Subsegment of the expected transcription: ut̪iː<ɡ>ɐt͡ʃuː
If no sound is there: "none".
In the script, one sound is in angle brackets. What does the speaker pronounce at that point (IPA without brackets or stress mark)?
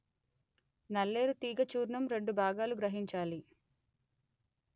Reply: ɡ